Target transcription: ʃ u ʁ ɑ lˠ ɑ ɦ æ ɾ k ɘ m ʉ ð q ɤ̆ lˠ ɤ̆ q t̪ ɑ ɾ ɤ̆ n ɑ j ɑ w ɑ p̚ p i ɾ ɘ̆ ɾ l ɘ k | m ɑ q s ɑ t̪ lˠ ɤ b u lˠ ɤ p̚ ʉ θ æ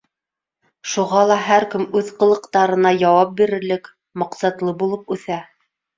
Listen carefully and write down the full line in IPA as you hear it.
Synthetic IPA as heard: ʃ u ʁ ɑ lˠ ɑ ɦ æ ɾ k ɘ m ʉ ð q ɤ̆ lˠ ɤ̆ q t̪ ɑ ɾ ɤ̆ n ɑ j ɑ w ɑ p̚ b i ɾ ɘ̆ ɾ l ɘ k | m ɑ q s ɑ t̪ lˠ ɤ b u lˠ ɤ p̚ ʉ θ æ